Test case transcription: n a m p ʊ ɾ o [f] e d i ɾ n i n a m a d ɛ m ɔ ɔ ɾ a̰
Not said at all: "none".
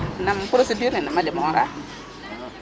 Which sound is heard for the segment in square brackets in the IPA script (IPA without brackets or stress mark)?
s